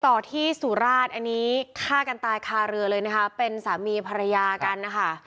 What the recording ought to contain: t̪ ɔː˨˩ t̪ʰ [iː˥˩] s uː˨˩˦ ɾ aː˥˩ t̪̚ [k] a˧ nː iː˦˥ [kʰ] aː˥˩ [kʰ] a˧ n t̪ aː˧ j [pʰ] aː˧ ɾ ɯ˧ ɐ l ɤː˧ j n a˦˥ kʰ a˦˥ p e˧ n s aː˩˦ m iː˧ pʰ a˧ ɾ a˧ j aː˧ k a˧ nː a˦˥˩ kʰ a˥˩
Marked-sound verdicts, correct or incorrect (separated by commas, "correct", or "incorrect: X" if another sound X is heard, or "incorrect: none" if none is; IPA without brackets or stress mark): correct, incorrect: ʔ, correct, incorrect: k, incorrect: kʰ